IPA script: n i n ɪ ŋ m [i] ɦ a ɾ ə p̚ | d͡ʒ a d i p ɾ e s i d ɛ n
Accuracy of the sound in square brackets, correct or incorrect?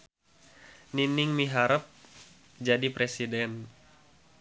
correct